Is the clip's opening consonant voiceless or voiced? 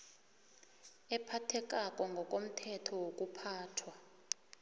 voiceless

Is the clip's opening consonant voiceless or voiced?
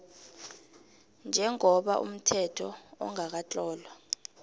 voiced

